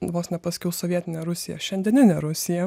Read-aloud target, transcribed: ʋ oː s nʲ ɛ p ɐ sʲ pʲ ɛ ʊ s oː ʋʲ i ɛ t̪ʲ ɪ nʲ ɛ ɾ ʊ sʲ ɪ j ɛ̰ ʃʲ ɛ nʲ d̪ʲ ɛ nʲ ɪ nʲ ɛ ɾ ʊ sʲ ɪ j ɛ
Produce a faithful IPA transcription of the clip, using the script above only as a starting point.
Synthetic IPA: ʋ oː s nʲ ɛ p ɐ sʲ kʲ ɛ ʊ s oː ʋʲ i ɛ t̪ʲ ɪ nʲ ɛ ɾ ʊ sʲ ɪ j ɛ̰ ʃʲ ɛ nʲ d̪ʲ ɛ nʲ ɪ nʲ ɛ ɾ ʊ sʲ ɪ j ɛ